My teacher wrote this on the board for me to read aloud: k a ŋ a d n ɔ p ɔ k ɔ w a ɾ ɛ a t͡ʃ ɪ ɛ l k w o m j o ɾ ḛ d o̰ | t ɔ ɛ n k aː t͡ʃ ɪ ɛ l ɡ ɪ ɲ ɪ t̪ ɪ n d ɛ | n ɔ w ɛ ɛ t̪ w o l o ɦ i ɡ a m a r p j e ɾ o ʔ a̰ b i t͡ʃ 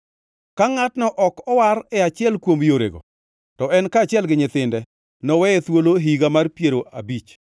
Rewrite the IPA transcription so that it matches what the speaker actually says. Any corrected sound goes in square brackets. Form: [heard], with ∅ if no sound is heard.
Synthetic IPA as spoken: k a ŋ a [t] n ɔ [ʔ] ɔ k ɔ w a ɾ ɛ a t͡ʃ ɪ ɛ l k w o m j o ɾ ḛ [ɡ] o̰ | t ɔ ɛ n k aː t͡ʃ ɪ ɛ l ɡ ɪ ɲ ɪ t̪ ɪ n d ɛ | n ɔ w ɛ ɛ t̪ w o l o ɦ i ɡ a m a r p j e ɾ o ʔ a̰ b i t͡ʃ